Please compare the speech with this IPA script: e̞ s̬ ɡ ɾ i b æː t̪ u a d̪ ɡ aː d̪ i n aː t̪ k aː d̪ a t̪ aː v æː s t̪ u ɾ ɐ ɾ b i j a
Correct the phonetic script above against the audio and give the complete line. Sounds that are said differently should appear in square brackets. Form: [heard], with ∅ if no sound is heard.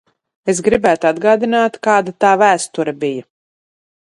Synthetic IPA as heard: e̞ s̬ ɡ ɾ i b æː t̪ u a d̪ ɡ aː d̪ i n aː t̪ k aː d̪ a t̪ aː v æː s t̪ u ɾ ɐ [∅] b i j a